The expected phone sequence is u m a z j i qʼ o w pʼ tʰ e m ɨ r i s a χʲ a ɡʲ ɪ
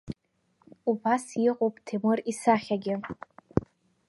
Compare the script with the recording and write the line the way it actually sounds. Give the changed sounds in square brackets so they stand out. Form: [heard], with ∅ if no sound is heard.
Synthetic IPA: u [b] a [s] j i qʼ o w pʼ tʰ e m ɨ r i s a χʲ a ɡʲ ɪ